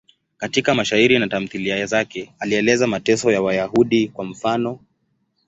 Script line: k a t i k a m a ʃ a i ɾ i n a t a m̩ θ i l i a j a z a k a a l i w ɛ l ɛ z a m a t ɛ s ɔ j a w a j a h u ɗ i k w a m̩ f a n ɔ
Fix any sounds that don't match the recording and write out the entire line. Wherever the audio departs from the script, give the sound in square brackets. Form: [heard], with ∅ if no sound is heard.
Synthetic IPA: k a t i k a m a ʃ a i ɾ i n a t a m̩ θ i l i a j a z a k [ɛ] a l i [∅] ɛ l ɛ z a m a t ɛ s ɔ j a w a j a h u ɗ i k w a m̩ f a n ɔ